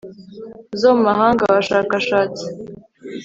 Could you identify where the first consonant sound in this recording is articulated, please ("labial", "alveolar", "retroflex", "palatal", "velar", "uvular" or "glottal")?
alveolar